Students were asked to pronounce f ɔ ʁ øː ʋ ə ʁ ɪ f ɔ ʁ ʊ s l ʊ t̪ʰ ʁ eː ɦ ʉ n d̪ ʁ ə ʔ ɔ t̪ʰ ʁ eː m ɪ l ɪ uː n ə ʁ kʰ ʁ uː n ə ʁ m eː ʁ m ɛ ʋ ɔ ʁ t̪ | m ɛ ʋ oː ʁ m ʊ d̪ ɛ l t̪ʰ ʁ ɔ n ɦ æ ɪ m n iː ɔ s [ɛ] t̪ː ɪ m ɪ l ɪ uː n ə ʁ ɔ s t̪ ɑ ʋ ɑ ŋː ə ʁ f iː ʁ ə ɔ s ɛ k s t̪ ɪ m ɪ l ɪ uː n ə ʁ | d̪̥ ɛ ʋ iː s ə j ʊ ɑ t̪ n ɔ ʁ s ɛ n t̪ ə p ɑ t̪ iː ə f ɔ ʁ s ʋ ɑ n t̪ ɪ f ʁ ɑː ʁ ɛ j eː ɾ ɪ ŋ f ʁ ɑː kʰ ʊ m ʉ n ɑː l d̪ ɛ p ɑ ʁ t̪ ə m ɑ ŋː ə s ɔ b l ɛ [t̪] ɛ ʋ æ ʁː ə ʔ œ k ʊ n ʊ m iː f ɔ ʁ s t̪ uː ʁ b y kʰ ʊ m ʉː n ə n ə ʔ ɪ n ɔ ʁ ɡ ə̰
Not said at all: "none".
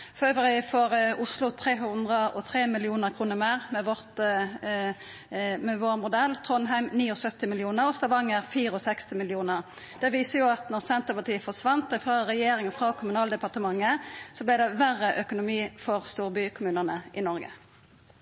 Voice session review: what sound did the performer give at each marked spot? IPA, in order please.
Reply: œ, d̪

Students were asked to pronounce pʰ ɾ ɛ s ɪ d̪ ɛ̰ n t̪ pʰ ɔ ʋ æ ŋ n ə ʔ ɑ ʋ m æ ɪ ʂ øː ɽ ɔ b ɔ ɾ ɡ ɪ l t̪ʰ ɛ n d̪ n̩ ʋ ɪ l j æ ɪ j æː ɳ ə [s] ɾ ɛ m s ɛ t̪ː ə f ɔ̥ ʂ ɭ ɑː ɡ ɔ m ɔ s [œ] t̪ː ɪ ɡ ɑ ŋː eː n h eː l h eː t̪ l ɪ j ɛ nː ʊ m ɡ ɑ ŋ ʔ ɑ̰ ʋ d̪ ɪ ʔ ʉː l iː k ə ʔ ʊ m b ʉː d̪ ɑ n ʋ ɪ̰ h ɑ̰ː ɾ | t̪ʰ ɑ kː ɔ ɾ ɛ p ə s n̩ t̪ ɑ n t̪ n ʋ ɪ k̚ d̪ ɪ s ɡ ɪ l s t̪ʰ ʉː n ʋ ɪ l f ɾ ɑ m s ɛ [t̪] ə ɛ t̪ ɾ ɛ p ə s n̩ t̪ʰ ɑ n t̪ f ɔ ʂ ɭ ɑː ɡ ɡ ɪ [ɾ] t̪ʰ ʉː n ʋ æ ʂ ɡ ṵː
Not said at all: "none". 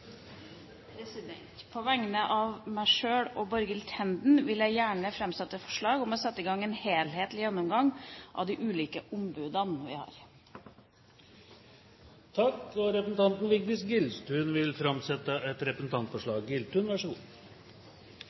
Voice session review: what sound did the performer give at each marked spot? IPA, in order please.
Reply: f, ɛ, t̪, l

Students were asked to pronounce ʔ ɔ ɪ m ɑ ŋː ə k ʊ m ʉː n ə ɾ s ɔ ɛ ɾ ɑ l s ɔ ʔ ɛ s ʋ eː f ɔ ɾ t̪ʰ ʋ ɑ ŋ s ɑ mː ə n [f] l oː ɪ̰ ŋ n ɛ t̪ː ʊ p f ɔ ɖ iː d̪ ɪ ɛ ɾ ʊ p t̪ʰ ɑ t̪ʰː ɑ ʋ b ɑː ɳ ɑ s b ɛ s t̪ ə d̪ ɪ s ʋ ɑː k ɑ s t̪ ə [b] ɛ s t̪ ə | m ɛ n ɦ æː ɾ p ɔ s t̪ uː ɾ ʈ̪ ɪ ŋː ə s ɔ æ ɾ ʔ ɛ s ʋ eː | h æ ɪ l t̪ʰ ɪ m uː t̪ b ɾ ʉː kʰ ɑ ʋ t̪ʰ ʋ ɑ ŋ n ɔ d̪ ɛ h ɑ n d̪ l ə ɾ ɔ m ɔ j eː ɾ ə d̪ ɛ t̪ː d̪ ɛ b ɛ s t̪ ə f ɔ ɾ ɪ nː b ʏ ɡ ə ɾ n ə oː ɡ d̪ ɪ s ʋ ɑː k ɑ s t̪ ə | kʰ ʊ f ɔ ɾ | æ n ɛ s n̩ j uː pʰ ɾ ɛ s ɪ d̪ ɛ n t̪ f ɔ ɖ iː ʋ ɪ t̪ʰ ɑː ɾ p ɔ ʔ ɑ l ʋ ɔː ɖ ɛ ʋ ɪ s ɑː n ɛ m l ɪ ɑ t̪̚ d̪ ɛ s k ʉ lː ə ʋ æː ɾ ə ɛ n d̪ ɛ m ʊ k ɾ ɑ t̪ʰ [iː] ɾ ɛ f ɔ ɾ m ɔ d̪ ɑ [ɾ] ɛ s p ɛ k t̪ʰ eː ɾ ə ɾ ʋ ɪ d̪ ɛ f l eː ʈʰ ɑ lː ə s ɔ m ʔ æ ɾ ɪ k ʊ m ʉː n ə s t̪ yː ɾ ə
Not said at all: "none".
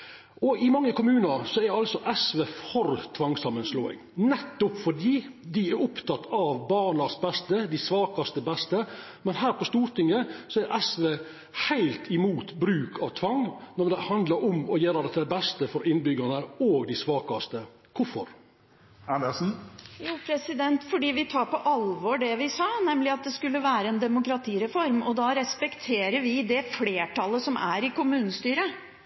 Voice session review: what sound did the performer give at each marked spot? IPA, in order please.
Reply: s, b, iː, ɾ

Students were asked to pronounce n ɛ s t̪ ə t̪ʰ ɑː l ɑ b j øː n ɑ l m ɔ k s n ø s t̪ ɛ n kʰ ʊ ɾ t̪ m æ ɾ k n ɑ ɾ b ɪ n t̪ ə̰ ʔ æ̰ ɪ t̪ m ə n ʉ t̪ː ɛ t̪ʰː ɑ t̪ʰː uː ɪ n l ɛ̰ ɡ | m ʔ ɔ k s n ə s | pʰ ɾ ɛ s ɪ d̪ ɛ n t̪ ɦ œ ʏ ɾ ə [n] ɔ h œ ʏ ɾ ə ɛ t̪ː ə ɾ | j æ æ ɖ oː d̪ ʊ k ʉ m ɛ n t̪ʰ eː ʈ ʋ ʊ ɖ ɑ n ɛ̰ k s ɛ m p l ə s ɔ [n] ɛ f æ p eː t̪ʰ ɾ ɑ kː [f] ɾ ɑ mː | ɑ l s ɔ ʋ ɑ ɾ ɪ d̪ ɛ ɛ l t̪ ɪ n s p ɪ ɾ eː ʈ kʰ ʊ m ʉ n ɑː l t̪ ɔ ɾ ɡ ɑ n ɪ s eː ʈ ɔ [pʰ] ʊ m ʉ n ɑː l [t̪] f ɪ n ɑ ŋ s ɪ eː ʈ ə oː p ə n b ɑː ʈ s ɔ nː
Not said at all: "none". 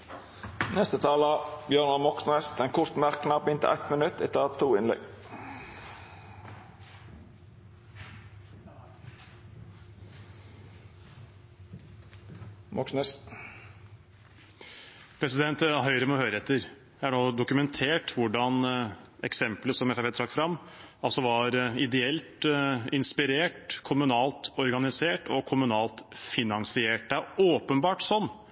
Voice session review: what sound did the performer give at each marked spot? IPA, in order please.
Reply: m, m, f, kʰ, t̪

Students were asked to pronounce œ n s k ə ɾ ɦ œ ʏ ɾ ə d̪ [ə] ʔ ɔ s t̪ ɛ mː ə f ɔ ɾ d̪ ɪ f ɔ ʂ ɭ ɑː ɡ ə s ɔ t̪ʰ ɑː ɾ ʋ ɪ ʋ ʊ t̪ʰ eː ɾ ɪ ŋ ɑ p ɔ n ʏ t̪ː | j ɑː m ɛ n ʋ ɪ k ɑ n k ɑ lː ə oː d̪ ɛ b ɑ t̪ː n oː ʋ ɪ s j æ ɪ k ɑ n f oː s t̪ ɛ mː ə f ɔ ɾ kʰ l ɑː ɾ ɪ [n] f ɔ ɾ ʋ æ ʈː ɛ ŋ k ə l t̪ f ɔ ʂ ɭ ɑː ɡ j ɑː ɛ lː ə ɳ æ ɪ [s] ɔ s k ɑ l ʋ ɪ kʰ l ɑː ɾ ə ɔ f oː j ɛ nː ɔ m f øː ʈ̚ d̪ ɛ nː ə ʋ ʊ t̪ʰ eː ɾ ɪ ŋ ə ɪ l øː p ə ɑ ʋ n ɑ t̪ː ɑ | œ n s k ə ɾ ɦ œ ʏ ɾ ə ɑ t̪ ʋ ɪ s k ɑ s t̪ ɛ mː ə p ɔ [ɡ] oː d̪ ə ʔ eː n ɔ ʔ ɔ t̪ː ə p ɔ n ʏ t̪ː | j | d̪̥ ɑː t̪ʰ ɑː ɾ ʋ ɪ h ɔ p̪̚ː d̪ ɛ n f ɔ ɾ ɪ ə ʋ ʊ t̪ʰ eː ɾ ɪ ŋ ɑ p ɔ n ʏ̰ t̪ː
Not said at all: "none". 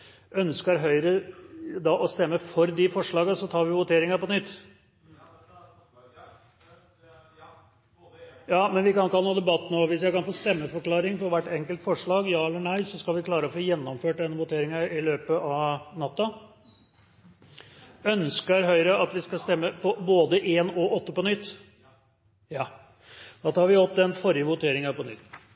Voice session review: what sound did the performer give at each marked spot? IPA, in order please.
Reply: ɑ, ŋ, s, b

